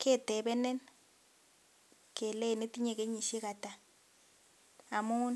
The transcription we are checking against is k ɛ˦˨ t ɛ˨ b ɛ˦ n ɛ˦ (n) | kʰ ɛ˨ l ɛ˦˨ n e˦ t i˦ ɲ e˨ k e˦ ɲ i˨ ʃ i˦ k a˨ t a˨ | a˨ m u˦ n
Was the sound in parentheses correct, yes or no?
yes